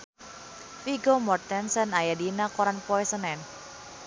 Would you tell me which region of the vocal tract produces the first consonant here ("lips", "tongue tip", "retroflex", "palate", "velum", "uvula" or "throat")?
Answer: lips